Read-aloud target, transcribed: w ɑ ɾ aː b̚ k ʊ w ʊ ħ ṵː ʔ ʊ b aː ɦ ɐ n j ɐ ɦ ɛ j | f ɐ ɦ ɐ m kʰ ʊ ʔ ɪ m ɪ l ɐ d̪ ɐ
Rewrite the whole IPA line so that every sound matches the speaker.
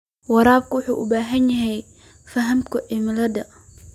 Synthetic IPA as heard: w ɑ ɾ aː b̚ k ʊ w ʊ ħ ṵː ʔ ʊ b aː ɦ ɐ n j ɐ ɦ ɛ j | f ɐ ɦ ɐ m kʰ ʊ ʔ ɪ m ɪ l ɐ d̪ ɐ